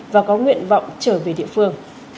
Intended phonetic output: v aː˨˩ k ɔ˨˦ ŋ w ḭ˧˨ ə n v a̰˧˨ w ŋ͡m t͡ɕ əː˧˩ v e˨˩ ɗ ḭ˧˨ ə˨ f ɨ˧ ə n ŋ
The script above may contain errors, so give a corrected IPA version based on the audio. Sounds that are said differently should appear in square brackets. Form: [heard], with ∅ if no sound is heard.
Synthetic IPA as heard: v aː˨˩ k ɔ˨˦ ŋ w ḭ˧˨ ə n v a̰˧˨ w ŋ͡m t͡ɕ əː˧˩ v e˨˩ ɗ ḭ˧˨ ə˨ f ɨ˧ ə [∅] ŋ

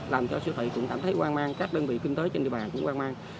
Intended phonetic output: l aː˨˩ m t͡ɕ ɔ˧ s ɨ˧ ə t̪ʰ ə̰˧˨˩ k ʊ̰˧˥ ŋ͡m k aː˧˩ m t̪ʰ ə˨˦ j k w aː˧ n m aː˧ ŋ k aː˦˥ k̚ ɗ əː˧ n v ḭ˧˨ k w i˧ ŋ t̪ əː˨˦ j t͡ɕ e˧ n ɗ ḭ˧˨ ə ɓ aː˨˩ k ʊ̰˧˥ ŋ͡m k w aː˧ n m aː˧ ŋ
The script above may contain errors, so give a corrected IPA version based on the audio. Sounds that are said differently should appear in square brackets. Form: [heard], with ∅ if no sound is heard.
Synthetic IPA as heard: l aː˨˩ m t͡ɕ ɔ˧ s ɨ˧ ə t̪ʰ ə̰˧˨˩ k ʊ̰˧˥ ŋ͡m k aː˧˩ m t̪ʰ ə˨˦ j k w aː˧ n m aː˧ ŋ k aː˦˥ k̚ ɗ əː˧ n v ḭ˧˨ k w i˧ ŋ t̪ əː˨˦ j t͡ɕ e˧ n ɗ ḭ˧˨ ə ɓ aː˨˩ k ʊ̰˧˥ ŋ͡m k w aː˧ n m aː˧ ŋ

